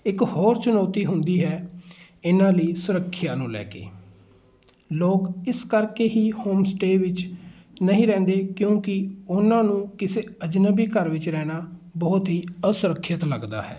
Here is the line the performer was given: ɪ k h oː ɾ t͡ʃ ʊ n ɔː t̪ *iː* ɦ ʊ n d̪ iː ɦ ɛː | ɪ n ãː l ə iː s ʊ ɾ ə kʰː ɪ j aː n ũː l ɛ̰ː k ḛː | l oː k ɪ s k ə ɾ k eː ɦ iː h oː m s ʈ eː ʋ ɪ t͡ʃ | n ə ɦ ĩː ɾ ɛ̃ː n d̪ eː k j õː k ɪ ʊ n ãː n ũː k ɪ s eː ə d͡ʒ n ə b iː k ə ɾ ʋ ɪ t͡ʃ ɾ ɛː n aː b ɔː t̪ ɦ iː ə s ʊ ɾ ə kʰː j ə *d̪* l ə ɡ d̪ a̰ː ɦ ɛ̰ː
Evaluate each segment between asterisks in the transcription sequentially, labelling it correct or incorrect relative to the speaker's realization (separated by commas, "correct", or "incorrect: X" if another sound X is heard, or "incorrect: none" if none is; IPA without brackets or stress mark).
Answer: correct, incorrect: t̪